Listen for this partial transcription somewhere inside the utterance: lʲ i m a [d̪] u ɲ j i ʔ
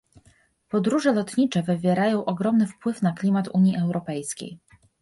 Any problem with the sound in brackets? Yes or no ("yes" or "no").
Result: yes